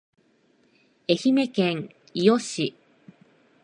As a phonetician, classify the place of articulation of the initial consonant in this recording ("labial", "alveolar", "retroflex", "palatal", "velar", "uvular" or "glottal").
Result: palatal